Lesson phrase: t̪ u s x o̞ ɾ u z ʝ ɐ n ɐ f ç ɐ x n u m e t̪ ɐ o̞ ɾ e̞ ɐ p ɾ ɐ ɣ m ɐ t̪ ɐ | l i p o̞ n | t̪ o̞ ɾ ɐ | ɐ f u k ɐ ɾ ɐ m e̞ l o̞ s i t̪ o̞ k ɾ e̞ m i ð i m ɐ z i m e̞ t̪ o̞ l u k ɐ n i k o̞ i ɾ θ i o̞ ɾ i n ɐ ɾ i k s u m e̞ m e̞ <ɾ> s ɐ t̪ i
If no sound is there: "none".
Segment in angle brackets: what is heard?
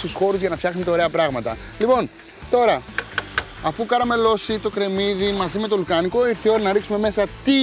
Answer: none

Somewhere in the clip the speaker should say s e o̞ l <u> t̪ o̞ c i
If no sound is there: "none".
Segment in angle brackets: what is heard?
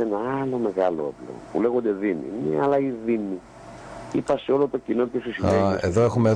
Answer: o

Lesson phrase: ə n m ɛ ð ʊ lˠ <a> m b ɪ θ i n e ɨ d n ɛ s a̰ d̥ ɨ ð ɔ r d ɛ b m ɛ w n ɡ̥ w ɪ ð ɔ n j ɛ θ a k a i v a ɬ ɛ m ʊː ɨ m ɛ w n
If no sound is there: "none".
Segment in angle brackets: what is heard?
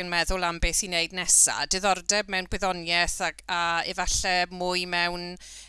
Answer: a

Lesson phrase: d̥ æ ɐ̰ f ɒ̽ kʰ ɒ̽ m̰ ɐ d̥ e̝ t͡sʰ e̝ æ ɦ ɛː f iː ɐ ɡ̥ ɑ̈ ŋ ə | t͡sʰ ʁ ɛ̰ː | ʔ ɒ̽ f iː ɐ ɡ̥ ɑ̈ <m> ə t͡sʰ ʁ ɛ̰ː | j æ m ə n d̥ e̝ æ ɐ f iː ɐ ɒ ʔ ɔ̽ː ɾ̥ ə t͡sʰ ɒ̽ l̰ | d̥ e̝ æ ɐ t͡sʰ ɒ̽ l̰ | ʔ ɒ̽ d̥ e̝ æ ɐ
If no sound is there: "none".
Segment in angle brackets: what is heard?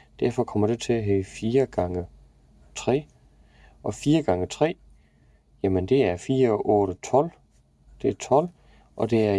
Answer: ŋ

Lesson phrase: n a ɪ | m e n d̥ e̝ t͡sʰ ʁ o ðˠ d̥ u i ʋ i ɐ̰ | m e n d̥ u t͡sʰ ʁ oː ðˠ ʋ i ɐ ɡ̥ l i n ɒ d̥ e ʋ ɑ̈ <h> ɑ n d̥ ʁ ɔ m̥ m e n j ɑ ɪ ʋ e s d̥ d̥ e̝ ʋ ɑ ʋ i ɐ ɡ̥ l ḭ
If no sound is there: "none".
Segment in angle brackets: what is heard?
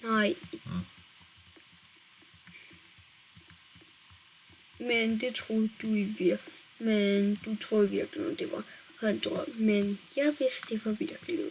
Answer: h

